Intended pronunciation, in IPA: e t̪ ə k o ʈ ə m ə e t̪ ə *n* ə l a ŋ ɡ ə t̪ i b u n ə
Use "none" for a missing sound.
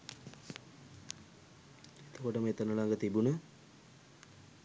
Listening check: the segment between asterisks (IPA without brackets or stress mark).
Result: n